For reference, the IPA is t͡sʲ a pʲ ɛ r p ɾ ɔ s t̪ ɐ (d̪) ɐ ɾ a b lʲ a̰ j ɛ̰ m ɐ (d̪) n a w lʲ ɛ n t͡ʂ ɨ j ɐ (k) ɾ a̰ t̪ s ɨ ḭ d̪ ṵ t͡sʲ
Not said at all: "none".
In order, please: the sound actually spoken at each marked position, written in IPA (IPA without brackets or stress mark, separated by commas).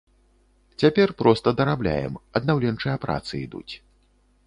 d̪, d̪, p